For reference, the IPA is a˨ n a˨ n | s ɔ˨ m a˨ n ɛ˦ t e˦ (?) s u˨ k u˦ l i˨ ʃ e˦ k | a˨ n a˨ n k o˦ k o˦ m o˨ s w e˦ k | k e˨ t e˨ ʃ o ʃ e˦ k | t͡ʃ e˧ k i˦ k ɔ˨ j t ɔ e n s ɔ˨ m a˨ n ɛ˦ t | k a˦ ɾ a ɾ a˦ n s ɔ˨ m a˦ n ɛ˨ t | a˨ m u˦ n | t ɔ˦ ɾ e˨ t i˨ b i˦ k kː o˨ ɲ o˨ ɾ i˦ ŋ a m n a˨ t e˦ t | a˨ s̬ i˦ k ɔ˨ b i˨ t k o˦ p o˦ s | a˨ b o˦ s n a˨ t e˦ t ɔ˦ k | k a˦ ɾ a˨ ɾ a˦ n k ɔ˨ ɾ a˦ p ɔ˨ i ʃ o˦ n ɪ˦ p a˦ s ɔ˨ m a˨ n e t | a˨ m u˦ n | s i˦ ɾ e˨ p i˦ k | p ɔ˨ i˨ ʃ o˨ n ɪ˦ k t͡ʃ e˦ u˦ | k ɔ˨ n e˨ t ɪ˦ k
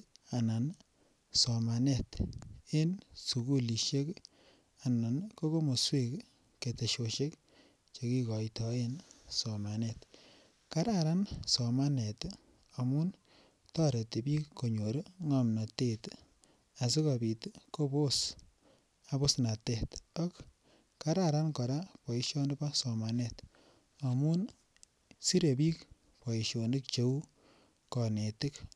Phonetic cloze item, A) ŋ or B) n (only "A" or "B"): B